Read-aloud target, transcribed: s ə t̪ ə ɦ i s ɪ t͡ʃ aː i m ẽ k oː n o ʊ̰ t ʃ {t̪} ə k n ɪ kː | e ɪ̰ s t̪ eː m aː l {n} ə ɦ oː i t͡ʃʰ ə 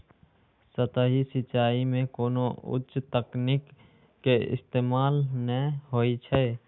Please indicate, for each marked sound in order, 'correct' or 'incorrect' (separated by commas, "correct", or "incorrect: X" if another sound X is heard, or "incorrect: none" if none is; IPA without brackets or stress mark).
correct, correct